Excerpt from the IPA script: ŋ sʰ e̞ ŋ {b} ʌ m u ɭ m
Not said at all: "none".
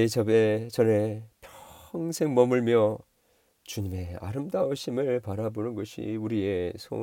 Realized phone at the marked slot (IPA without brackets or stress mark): m